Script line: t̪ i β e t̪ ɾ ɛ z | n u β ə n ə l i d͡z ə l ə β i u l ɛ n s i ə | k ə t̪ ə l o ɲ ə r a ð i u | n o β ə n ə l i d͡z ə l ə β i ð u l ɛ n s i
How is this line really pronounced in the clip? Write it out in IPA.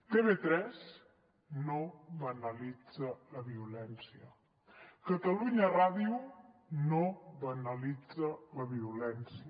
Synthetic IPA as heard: t̪ e β e t̪ ɾ ɛ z | n o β ə n ə l i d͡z ə l ə β i u l ɛ n s i ə | k ə t̪ ə l u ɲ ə r a ð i u | n o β ə n ə l i d͡z ə l ə β i u l ɛ n s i